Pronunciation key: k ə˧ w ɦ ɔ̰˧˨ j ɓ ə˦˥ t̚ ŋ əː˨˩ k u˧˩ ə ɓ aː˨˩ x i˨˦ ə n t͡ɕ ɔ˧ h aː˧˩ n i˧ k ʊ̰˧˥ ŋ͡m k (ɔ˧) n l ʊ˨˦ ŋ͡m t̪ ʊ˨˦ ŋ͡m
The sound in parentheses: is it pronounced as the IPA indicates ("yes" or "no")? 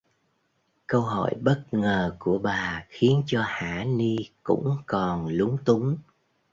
no